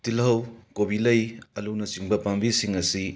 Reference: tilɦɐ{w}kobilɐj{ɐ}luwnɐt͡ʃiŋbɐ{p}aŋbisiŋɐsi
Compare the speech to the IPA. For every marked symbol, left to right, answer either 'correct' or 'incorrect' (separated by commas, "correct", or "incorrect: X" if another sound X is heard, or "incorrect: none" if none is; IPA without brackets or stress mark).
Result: correct, correct, correct